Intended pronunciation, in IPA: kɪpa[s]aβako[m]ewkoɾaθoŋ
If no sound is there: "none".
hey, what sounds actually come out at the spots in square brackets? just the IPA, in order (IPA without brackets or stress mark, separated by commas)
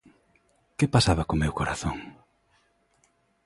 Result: s, m